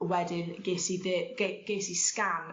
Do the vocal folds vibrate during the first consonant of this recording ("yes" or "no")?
yes